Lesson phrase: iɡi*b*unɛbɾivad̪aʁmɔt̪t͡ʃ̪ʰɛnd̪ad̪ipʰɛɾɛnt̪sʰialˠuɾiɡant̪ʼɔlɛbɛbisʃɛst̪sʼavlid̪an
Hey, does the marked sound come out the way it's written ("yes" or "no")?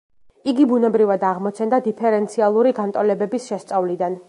yes